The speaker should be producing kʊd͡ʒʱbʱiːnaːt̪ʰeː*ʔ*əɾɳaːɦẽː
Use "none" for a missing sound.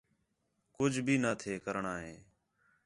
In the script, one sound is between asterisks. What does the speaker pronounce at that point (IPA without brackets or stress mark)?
k